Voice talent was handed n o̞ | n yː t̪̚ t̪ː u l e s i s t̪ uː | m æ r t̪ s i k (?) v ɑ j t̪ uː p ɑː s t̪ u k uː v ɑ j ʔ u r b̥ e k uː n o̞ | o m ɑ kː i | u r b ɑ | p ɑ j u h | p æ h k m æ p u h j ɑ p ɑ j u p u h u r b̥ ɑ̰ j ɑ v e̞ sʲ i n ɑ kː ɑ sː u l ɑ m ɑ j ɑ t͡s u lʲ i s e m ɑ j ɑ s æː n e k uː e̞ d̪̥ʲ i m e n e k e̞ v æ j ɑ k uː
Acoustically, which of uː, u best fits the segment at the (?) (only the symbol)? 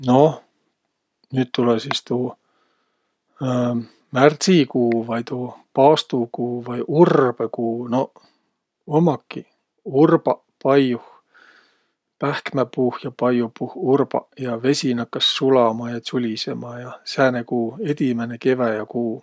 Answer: uː